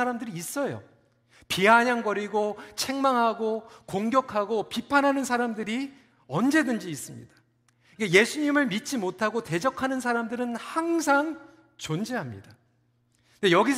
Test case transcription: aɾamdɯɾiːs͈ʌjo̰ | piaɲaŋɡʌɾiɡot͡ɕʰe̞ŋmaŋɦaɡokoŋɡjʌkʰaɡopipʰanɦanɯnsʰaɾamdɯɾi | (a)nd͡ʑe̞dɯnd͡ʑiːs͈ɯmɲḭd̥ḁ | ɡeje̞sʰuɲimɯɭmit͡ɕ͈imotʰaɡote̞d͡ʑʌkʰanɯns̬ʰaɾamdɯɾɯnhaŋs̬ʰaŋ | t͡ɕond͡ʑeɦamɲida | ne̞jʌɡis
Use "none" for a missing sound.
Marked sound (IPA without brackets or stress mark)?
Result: ʌ